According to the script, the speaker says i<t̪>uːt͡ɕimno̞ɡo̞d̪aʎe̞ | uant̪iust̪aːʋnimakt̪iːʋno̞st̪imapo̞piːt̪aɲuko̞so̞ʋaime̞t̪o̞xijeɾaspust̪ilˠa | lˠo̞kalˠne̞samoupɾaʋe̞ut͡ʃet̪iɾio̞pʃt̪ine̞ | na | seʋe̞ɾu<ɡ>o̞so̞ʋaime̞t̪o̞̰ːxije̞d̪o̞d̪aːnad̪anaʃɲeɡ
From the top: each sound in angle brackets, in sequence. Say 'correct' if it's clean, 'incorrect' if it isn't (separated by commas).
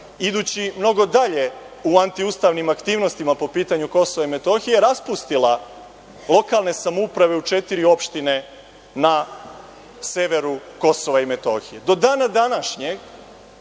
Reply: incorrect, incorrect